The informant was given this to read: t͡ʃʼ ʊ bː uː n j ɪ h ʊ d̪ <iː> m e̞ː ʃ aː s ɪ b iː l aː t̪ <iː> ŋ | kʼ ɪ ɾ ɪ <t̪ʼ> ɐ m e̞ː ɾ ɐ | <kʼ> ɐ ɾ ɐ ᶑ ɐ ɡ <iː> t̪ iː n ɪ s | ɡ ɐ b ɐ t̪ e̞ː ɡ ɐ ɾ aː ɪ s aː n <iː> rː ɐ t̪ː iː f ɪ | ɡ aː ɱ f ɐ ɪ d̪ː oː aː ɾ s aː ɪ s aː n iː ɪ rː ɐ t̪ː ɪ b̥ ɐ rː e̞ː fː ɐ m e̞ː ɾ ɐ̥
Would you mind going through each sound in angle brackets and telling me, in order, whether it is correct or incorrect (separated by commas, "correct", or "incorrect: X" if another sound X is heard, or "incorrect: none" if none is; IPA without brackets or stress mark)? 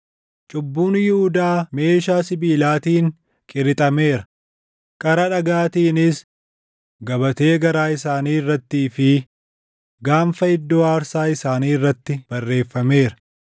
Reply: incorrect: aː, correct, correct, correct, incorrect: aː, correct